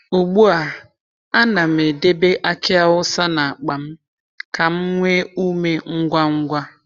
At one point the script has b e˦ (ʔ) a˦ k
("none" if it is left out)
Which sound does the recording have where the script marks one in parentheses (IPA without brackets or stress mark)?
ʔ